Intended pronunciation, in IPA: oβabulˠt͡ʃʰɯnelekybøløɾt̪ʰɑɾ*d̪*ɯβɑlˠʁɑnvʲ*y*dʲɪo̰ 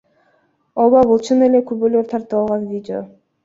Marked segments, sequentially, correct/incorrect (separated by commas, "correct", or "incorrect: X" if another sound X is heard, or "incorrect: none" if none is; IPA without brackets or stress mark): incorrect: t̪, incorrect: i